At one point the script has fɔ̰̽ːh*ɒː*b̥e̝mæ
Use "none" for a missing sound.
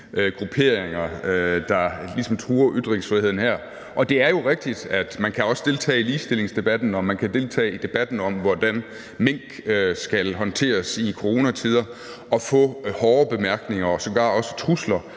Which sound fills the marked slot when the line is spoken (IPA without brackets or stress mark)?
ɒː